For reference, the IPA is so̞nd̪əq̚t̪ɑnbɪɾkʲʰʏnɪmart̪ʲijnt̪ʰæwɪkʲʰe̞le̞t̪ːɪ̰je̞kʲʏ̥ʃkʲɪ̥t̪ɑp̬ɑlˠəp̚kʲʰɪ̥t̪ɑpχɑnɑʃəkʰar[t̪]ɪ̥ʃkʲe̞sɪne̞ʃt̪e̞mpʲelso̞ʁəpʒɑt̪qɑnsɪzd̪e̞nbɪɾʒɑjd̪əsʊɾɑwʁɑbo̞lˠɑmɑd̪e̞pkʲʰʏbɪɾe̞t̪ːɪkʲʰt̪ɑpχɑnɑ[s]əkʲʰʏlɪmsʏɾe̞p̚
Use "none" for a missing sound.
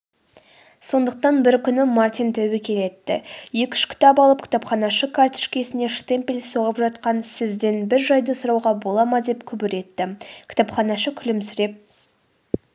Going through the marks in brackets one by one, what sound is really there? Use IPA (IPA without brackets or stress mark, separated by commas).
t̪, ʃ